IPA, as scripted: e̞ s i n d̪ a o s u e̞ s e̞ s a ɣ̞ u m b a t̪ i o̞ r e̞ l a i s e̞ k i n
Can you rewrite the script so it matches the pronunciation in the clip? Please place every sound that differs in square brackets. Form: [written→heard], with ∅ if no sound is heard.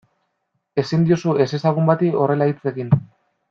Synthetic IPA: e̞ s i n d̪ [a→i] o s u e̞ s e̞ s a ɣ̞ u m b a t̪ i o̞ r e̞ l a i [s→t͡s] e̞ k i n